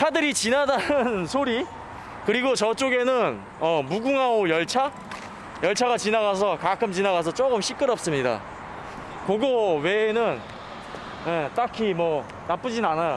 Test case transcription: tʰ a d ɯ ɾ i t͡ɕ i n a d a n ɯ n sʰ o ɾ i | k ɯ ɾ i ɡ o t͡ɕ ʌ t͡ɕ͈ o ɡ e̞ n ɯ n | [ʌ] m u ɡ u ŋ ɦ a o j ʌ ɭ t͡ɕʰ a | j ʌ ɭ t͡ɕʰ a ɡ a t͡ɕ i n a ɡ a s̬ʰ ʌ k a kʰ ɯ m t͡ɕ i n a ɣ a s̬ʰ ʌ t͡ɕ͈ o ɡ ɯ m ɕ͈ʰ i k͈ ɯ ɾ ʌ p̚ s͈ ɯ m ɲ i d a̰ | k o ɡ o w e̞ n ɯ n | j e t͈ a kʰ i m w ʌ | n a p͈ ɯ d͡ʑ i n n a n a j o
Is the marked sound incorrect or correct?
correct